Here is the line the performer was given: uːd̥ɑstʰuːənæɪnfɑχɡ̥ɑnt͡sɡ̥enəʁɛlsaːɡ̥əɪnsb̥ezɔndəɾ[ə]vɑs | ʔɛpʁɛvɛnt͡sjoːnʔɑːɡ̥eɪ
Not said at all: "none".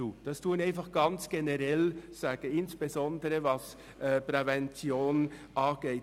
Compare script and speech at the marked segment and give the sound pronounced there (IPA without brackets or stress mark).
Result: ə